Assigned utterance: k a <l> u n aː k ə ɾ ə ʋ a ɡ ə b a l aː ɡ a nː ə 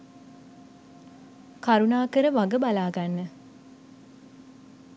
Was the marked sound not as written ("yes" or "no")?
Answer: yes